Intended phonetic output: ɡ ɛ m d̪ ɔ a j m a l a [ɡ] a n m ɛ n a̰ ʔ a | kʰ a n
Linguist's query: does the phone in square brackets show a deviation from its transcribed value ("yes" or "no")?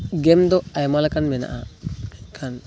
yes